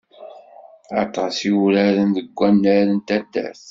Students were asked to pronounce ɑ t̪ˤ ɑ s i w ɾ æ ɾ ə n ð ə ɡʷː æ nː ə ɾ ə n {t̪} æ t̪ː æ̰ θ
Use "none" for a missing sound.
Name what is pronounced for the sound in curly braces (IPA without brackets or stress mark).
t̪